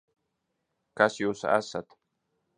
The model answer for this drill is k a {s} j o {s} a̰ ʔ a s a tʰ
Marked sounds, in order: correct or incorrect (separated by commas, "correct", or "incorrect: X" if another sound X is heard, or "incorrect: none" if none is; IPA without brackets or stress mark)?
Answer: correct, correct